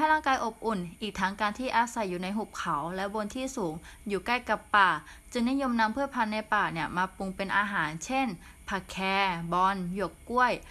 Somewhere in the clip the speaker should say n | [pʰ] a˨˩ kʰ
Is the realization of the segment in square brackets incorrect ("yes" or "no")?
no